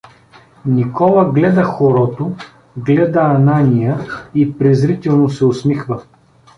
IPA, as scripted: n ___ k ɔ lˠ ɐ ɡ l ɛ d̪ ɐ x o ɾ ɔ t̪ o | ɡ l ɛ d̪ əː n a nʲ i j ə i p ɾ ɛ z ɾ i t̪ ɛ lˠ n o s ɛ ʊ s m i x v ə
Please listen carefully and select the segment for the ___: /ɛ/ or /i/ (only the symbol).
i